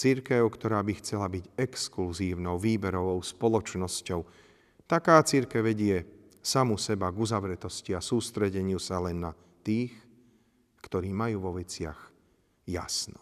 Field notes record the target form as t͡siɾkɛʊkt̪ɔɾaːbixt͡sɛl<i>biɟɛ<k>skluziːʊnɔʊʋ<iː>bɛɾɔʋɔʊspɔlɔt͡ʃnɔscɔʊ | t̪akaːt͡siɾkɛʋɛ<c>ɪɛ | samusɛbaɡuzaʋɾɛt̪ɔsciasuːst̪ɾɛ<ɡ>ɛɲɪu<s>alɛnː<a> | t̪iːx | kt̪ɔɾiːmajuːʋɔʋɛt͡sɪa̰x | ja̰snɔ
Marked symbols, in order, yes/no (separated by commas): no, yes, yes, no, no, yes, yes